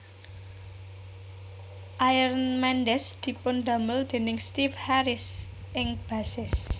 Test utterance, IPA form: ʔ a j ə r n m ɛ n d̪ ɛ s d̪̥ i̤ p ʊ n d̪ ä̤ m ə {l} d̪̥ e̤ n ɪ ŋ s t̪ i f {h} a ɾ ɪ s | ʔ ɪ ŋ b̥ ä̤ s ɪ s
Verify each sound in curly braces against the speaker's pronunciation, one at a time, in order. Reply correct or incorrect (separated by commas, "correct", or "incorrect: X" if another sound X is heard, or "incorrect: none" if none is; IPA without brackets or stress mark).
correct, correct